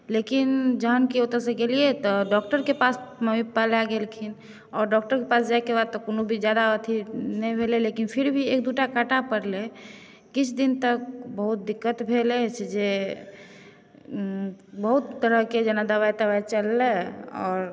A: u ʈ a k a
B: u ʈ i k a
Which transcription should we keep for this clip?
A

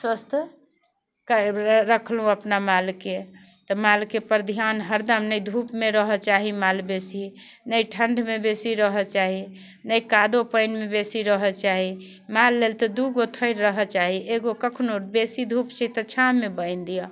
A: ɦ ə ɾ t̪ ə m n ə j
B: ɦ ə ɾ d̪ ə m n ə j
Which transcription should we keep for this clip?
B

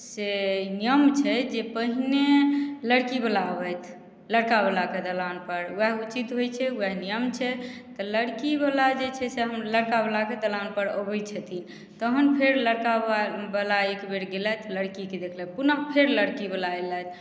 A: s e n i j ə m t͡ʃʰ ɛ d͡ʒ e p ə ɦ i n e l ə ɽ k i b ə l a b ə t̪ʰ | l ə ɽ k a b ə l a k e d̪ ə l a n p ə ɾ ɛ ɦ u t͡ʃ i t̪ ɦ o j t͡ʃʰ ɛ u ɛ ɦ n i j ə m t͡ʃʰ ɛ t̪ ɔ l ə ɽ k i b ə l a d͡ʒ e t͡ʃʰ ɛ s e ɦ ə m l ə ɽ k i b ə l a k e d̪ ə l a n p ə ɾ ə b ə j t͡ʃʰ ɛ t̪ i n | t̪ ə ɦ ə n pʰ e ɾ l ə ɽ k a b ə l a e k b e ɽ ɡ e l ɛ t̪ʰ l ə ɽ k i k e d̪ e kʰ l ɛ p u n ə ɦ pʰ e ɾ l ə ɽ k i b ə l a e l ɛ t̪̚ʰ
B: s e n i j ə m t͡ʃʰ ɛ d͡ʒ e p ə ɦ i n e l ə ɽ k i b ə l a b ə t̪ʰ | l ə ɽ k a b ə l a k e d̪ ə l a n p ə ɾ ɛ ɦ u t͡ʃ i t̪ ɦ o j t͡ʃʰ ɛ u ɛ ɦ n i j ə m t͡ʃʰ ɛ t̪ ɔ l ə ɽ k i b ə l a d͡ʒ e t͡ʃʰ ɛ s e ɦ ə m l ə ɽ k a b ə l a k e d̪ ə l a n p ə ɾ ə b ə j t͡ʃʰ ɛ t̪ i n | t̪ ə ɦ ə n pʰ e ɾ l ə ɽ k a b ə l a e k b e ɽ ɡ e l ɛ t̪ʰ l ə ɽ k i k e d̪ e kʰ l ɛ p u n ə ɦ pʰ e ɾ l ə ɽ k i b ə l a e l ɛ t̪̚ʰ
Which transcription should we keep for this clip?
B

